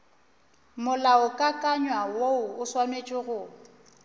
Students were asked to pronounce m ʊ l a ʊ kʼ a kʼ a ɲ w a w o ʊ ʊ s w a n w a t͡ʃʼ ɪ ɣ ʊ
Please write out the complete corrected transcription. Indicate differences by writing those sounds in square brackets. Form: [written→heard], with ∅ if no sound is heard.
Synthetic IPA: m ʊ l a ʊ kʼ a kʼ a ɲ w a w o ʊ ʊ s w a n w [a→e] t͡ʃʼ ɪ ɣ ʊ